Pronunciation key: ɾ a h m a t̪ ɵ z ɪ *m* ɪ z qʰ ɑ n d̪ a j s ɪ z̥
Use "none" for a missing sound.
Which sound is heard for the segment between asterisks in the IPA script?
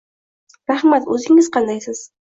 ŋ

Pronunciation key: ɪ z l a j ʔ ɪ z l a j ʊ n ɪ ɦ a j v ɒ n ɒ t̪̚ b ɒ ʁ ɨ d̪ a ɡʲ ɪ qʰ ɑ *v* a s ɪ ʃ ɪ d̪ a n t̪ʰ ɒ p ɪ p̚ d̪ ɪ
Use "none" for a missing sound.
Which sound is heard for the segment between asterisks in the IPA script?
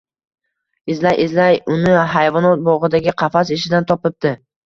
f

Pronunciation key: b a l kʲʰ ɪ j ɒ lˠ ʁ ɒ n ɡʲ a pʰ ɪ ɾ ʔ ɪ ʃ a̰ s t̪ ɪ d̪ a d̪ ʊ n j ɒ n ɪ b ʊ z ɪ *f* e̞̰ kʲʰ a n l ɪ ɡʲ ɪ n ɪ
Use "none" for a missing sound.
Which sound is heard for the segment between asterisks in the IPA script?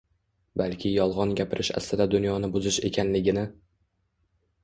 ʃ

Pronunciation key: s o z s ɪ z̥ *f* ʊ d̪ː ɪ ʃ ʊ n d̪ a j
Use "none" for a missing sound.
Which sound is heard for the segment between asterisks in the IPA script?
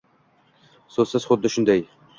χ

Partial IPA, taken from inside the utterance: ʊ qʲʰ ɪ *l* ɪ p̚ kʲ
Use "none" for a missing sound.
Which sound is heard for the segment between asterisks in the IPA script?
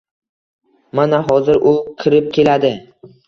ɾ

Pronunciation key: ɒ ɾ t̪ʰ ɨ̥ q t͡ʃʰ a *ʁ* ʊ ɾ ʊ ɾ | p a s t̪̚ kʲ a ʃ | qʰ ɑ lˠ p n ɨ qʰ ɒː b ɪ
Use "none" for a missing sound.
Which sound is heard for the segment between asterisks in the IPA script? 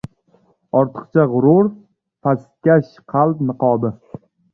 ʁ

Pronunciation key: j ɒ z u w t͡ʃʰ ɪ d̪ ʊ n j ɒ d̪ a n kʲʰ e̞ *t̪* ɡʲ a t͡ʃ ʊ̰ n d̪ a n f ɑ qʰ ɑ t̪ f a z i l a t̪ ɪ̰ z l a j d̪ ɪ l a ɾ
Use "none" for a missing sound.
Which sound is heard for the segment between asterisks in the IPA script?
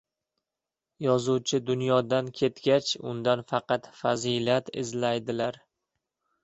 t̪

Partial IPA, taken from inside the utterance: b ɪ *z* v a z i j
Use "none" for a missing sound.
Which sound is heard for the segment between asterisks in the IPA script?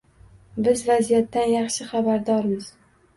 z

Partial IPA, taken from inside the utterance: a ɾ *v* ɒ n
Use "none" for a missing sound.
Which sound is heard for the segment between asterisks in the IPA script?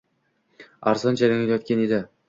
z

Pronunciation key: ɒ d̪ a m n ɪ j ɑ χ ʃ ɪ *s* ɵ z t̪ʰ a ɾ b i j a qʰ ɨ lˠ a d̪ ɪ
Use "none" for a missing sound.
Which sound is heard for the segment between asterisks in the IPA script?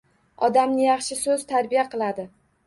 s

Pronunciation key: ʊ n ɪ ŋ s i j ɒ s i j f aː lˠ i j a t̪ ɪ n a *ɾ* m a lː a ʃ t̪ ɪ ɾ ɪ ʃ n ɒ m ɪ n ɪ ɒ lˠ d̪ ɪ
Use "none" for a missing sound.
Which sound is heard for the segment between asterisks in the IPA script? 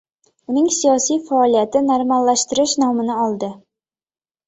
ɾ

